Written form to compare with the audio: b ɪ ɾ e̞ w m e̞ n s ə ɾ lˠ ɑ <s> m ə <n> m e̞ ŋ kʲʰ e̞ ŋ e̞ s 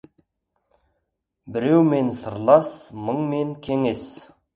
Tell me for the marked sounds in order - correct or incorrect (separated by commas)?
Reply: correct, incorrect